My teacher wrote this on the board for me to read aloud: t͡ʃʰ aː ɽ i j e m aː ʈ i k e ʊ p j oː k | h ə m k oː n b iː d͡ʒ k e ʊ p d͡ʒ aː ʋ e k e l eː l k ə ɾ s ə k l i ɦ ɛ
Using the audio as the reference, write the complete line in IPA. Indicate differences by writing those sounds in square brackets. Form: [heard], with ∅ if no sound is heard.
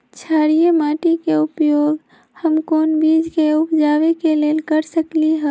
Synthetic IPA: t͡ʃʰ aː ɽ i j e m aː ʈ i k e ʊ p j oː [ɡ] | h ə m k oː n b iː d͡ʒ k e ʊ p d͡ʒ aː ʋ e k e l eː l k ə ɾ s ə k l i ɦ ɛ